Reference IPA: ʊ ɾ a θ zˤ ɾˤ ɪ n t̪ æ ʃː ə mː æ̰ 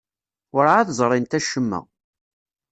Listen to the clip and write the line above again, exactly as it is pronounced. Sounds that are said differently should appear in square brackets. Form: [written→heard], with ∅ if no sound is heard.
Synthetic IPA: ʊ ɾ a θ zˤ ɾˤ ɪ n t̪ æ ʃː ə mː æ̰